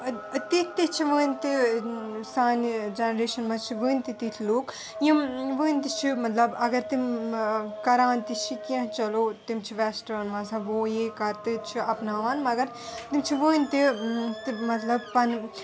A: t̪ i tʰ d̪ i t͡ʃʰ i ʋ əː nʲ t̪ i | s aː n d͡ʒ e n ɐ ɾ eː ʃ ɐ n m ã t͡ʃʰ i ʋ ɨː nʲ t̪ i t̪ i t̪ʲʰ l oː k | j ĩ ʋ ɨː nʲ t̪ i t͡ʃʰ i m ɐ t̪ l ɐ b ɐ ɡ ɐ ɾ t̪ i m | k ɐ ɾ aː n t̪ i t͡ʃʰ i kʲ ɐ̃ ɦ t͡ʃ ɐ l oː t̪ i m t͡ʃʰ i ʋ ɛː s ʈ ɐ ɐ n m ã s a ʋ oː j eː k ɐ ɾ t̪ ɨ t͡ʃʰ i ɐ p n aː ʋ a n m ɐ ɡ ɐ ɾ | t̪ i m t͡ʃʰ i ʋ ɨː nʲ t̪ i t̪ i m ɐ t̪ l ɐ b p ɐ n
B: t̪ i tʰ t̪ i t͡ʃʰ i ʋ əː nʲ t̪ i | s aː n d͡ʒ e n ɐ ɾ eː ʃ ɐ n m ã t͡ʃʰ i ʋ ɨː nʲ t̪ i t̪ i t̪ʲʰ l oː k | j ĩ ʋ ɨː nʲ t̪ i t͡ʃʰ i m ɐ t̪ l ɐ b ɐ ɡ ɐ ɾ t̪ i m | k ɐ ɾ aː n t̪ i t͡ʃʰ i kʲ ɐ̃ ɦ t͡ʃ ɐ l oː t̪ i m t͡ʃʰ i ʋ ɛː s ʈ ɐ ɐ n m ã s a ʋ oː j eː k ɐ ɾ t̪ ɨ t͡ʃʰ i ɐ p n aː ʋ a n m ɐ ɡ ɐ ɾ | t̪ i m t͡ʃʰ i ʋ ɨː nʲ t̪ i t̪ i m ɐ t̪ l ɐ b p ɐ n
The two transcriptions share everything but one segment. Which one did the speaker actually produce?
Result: B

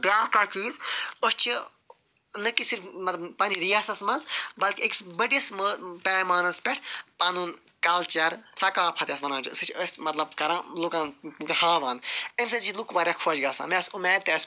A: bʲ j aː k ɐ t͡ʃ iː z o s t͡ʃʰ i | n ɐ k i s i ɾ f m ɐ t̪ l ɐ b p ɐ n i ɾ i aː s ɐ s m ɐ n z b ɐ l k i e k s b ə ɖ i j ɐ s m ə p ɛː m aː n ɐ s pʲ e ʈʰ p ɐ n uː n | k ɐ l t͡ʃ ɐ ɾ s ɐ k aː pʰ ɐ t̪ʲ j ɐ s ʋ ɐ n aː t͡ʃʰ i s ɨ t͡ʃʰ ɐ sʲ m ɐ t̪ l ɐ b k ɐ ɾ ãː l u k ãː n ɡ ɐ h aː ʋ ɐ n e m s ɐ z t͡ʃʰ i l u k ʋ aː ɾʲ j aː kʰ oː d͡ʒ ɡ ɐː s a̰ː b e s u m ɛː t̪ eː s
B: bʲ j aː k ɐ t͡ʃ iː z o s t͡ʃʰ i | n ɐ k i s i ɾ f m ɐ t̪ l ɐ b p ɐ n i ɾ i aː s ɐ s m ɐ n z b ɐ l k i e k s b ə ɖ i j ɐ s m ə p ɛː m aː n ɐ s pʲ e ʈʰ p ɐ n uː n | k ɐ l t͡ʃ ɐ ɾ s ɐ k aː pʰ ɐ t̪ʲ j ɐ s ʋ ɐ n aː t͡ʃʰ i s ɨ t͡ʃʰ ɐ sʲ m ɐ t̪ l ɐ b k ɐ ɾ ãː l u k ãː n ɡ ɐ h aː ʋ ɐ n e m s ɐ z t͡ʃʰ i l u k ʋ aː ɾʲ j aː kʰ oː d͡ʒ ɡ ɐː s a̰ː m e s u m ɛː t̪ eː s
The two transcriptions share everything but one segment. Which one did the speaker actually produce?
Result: B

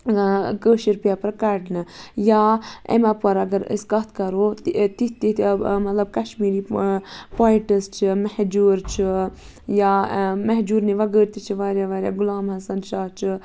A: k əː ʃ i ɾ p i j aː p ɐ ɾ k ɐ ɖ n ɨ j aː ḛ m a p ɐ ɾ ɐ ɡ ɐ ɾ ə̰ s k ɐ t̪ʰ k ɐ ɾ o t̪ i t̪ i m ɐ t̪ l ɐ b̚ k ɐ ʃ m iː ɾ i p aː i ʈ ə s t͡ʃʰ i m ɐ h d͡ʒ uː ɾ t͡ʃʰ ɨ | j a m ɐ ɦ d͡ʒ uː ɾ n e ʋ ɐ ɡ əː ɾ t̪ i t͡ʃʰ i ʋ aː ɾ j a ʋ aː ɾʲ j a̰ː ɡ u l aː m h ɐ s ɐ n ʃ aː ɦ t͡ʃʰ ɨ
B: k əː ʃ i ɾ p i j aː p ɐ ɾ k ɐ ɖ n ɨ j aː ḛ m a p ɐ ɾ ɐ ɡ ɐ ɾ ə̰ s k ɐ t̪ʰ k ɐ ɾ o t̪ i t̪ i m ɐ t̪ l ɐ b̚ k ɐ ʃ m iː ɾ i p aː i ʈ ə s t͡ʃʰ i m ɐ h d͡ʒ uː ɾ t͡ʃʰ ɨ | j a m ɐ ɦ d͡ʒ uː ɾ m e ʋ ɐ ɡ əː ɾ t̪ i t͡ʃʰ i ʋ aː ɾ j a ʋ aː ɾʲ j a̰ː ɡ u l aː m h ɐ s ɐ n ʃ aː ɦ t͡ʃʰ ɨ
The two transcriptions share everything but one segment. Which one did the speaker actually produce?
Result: A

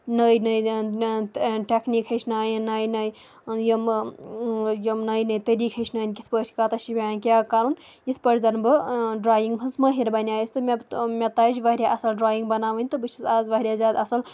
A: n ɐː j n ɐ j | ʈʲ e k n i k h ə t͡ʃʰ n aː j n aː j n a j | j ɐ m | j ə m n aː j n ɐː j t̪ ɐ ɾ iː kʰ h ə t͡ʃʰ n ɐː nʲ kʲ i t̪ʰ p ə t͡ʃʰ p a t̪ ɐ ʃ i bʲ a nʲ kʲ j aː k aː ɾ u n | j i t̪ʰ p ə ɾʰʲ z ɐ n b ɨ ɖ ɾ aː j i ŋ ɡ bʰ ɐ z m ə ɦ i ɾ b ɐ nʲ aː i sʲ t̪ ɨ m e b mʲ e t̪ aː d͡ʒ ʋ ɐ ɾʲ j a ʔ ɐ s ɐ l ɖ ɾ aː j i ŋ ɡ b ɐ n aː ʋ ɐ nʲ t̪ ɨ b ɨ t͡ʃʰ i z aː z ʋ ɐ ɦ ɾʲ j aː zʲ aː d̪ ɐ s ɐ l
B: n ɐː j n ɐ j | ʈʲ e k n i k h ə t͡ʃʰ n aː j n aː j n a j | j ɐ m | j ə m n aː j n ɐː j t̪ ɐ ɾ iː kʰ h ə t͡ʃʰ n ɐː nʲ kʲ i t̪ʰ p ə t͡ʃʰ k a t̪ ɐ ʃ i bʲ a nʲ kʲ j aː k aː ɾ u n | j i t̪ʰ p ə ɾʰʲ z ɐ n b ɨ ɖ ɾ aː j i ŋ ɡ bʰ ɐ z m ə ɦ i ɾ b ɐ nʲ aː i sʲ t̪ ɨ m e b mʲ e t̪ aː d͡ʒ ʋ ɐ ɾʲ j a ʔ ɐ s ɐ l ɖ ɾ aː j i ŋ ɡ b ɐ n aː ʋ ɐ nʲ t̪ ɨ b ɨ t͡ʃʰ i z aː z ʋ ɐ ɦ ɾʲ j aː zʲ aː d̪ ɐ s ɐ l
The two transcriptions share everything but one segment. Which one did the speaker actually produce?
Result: B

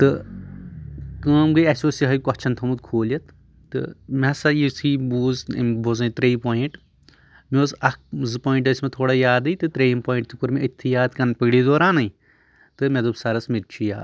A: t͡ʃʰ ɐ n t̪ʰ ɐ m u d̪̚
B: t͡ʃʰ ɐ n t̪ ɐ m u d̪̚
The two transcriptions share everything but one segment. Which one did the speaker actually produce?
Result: A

